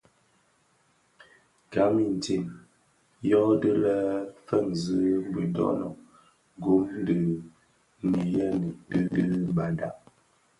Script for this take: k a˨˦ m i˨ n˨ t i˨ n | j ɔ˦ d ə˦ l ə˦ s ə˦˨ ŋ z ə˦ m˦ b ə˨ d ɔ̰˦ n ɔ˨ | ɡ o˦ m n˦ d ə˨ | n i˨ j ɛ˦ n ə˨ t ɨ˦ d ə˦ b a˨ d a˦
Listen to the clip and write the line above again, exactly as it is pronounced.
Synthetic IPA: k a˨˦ m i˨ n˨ t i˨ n | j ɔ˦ d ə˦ l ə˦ f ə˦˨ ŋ z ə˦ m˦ b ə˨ d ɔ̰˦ n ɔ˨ | ɡ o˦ m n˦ d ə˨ | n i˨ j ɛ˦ n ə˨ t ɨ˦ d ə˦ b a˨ d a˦